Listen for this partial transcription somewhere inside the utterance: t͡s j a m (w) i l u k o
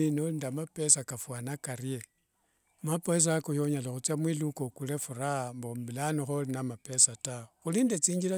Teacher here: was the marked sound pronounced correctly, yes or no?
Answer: yes